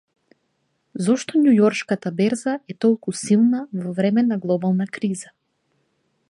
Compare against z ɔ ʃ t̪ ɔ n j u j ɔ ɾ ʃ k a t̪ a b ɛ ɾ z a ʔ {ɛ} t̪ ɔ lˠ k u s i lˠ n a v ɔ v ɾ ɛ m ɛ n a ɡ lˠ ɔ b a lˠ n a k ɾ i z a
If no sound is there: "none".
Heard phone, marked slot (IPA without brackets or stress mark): ɛ